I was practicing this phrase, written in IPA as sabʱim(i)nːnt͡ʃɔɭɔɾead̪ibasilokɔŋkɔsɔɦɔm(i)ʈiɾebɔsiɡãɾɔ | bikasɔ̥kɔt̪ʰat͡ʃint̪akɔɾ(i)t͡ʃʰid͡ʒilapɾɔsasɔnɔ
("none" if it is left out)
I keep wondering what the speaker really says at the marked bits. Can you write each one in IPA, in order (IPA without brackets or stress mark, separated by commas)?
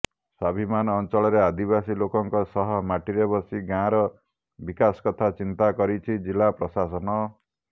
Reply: a, a, i